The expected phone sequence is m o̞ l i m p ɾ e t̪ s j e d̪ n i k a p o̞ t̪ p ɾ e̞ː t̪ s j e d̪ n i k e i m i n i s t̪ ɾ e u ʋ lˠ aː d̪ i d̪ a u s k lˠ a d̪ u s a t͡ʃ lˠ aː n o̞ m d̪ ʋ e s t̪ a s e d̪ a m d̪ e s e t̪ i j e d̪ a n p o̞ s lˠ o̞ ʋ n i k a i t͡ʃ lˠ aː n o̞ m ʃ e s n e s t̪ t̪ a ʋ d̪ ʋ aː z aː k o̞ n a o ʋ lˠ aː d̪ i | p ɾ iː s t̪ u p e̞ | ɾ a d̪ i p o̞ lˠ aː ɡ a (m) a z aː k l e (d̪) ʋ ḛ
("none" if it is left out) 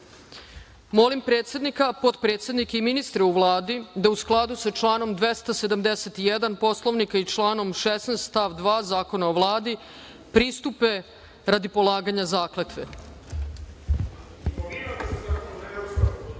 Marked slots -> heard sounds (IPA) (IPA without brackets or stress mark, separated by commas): ɲ, t̪